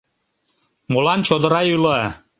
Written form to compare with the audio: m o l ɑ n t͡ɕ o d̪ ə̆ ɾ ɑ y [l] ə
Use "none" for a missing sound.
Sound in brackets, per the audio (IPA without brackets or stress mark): l